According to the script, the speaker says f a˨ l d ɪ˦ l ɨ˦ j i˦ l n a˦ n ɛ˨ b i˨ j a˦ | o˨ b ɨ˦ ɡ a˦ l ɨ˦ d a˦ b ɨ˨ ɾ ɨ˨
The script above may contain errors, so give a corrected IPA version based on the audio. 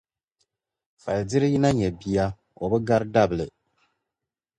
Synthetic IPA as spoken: f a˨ l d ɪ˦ ɾ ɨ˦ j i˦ n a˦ ɲ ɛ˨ b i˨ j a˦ | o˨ b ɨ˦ ɡ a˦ ɾ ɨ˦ d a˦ b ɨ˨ l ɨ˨